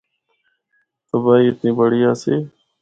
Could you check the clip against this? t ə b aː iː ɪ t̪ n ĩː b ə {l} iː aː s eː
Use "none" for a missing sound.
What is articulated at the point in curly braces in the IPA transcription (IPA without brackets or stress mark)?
ɽ